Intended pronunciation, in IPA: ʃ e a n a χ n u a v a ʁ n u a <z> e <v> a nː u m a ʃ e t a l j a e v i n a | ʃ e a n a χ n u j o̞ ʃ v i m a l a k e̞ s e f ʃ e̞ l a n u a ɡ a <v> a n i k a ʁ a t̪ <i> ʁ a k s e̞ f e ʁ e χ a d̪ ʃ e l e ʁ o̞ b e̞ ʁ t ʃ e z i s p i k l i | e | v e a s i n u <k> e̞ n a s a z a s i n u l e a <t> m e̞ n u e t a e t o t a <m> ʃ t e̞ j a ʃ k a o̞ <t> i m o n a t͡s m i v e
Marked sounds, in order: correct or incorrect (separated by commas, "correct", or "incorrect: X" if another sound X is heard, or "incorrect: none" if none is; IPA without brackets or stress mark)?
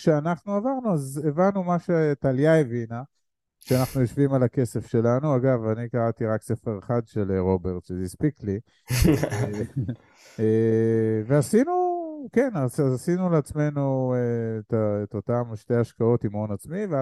correct, correct, correct, correct, correct, incorrect: t͡s, correct, correct